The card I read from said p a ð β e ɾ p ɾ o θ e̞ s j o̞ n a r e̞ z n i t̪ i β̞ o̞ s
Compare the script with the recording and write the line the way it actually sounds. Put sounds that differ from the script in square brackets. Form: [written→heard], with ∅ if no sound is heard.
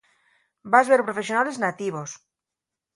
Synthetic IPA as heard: [p→b] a [ð→z] β e ɾ p ɾ o [θ→f] e̞ s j o̞ n a [r→l] e̞ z n [i→a] t̪ i β̞ o̞ s